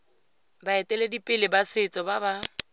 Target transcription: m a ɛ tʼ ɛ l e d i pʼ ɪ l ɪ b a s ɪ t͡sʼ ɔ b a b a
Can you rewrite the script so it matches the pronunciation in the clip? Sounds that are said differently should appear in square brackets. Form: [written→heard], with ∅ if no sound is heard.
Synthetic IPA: [m→b] a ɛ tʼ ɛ l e d i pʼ ɪ l ɪ b a s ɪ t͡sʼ ɔ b a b a